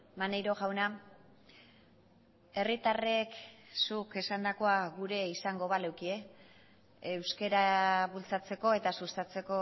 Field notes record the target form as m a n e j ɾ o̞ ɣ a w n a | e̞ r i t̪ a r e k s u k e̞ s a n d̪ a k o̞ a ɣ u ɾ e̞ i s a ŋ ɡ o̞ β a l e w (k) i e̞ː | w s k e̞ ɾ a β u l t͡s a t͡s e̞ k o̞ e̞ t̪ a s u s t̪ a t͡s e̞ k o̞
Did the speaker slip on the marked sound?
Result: no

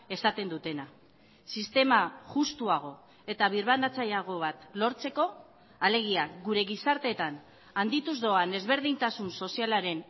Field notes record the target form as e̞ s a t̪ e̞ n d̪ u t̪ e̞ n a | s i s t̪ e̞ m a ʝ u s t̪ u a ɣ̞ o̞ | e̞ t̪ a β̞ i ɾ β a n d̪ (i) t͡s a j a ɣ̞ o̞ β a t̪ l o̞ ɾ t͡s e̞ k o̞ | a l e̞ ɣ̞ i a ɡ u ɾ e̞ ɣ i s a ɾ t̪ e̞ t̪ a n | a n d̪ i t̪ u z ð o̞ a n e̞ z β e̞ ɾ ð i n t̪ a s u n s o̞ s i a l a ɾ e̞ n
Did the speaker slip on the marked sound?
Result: yes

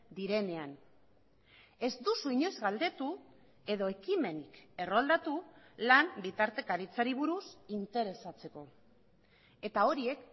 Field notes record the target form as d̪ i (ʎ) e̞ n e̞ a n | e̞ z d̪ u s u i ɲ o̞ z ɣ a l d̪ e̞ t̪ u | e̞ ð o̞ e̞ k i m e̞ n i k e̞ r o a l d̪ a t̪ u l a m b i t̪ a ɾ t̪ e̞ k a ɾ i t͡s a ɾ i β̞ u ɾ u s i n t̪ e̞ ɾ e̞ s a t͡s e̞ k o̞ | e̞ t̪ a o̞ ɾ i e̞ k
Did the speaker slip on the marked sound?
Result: yes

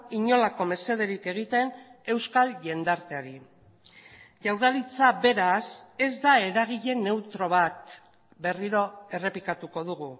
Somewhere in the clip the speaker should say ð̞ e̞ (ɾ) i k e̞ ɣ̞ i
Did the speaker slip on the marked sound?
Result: no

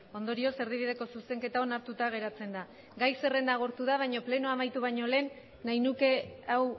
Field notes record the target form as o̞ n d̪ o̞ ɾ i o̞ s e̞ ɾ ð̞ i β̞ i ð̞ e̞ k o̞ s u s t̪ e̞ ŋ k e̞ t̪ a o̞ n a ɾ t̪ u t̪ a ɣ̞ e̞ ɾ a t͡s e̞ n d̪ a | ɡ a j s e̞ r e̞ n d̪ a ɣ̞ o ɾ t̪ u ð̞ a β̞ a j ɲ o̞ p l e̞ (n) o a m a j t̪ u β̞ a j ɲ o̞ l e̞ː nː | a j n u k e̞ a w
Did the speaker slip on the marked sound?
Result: no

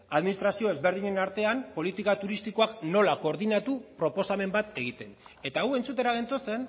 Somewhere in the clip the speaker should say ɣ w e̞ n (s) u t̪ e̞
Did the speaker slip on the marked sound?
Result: yes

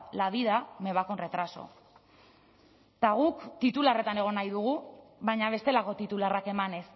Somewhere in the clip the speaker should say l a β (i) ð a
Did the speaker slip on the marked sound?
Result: no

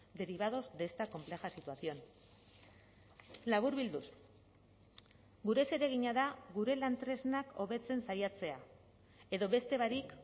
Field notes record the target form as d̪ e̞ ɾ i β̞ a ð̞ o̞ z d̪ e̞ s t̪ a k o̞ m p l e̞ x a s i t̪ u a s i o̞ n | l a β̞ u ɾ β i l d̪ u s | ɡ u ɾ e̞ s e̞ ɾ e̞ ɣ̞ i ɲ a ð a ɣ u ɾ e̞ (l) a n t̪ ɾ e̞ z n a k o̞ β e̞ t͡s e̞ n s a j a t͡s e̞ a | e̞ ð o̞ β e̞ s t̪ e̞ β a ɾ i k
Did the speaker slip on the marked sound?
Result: no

